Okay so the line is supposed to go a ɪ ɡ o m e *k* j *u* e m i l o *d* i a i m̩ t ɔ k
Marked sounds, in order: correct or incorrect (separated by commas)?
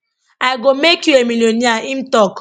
correct, correct, incorrect